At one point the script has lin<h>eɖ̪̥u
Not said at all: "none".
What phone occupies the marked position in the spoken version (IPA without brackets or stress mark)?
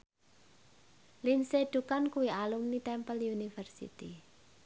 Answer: s